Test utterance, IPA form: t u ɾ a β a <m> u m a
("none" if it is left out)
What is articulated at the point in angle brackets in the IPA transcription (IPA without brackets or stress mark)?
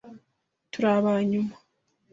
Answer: ɲ